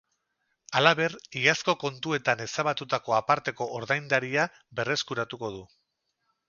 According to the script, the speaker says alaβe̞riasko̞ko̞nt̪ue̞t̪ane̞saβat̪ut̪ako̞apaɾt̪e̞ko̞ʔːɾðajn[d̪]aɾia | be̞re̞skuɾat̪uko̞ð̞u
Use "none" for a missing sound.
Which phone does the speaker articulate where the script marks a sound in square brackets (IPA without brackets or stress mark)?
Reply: d̪